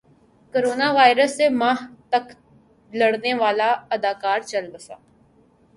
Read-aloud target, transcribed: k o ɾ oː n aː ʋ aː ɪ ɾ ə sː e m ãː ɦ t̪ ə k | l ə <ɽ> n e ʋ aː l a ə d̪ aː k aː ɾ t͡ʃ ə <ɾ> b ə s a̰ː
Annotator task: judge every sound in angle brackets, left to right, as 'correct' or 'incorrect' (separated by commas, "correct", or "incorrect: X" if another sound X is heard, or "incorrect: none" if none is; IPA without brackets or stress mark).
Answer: correct, incorrect: l